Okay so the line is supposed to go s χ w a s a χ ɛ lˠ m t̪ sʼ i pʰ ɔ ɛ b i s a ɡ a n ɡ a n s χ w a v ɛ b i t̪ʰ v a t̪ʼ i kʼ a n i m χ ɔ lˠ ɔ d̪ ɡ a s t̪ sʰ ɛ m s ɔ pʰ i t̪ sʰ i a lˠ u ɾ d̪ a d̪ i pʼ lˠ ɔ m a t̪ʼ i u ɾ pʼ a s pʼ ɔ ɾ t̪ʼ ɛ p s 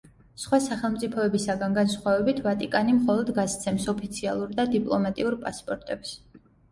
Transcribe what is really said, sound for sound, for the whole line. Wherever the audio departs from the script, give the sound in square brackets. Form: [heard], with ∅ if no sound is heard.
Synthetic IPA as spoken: s χ w a s a χ ɛ lˠ m t̪ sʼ i pʰ ɔ ɛ b i s a ɡ a n ɡ a n s χ w a v ɛ b i t̪ʰ v a t̪ʼ i kʼ a n i m χ ɔ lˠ ɔ d̪ ɡ a s t̪ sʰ ɛ m s ɔ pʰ i t̪ sʰ i a lˠ u ɾ d̪ a d̪ i pʼ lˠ ɔ m a t̪ʼ i u ɾ pʼ a s pʼ ɔ ɾ t̪ʼ ɛ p s